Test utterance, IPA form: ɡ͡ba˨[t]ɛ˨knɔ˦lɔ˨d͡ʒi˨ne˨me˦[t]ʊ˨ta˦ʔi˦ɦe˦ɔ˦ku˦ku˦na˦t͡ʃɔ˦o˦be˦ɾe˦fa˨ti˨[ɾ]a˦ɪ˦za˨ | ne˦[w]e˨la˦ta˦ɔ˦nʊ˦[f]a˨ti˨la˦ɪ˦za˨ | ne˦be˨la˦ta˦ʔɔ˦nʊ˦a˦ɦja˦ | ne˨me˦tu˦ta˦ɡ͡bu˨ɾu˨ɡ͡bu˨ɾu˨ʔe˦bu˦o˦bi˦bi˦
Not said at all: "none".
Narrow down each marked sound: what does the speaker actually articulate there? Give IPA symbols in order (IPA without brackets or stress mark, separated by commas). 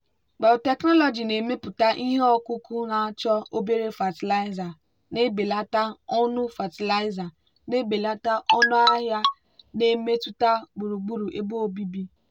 t, p, l, b, f